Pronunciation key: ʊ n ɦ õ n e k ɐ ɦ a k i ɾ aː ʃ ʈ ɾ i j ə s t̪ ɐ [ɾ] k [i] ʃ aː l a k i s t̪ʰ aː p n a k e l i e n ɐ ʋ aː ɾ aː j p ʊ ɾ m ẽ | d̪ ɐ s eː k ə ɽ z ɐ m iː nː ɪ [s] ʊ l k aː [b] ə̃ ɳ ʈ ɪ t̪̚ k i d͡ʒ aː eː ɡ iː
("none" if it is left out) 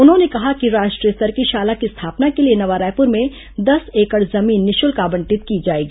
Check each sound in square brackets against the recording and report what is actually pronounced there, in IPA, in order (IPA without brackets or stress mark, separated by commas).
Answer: ɾ, i, ʃ, b